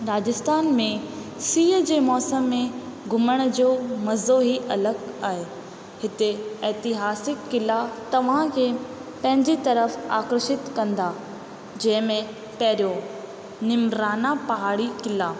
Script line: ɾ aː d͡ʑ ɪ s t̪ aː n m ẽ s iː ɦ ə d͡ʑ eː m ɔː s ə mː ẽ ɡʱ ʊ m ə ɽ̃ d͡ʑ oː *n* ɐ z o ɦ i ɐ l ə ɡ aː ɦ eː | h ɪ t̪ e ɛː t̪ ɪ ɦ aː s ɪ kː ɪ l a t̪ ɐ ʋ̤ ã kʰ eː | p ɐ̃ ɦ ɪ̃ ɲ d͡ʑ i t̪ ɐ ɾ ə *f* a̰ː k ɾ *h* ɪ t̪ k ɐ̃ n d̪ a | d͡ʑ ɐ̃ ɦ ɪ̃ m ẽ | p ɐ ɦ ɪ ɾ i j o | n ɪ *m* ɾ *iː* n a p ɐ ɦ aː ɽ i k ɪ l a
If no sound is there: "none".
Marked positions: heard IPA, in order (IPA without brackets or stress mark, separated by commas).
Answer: m, f, ʃ, m, aː